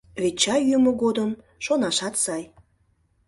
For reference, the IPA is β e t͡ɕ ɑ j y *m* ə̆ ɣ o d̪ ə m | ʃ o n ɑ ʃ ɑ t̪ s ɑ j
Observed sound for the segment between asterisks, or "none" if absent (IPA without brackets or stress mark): m